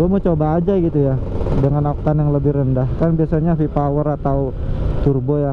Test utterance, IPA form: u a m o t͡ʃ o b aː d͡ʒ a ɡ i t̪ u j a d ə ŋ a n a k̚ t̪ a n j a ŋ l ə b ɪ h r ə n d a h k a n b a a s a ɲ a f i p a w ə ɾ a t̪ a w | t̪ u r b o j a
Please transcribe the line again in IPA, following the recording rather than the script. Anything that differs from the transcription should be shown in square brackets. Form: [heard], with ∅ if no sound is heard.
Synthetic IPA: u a m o t͡ʃ o b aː d͡ʒ a ɡ i t̪ u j a d ə ŋ a n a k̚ t̪ a n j a ŋ l ə b ɪ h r ə n d a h k a n b [i] a s a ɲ a f i p a w ə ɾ a t̪ a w | t̪ u r b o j a